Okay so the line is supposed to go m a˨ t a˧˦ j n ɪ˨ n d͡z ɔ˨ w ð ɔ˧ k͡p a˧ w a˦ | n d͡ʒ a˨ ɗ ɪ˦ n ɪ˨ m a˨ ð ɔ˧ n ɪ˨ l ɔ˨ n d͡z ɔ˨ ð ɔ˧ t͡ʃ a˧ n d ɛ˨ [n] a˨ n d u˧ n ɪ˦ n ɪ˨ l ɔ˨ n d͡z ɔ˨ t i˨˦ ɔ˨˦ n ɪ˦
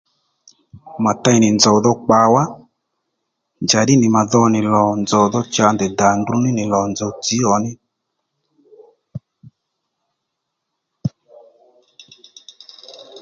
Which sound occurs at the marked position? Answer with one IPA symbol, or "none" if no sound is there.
d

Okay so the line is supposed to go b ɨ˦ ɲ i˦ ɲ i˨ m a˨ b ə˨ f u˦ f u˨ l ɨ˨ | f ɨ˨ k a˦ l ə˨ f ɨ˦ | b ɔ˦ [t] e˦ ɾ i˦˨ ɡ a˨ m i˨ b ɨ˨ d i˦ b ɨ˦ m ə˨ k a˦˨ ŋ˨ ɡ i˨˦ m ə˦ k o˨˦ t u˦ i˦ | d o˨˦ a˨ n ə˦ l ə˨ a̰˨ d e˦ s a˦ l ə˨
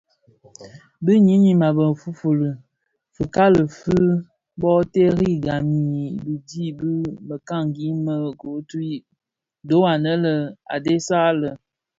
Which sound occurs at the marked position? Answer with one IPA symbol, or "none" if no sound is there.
t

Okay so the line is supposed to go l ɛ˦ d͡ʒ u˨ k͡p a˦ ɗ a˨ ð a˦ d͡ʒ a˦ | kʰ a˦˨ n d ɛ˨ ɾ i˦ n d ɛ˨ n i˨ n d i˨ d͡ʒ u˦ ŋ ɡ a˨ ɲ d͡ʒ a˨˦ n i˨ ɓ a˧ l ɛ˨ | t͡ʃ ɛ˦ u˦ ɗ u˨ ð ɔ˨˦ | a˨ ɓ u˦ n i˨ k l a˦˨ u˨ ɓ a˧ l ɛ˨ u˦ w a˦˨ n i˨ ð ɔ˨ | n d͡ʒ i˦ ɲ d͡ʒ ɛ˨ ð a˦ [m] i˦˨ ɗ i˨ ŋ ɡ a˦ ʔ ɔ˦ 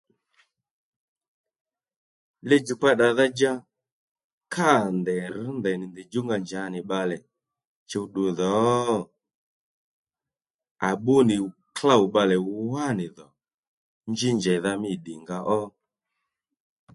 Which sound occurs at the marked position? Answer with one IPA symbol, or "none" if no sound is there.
m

